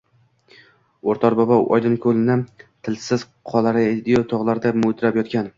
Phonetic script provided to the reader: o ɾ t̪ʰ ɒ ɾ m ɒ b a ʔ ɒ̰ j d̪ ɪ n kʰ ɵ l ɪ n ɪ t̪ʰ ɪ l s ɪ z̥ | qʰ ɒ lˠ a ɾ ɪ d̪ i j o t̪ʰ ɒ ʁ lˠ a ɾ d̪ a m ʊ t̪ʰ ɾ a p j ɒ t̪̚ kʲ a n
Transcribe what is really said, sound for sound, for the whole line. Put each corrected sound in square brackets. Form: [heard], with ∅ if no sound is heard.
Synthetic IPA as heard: o ɾ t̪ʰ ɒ ɾ [b] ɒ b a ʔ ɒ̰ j d̪ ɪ n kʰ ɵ l ɪ n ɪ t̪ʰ ɪ l s ɪ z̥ | qʰ ɒ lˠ a ɾ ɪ d̪ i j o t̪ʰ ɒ ʁ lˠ a ɾ d̪ a m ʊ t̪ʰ ɾ a p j ɒ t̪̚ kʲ a n